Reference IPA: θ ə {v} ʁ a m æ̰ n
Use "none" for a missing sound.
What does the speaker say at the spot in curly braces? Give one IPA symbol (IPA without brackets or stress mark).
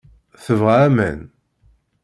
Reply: v